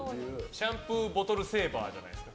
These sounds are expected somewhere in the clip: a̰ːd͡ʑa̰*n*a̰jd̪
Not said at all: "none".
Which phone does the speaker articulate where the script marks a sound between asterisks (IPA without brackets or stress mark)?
n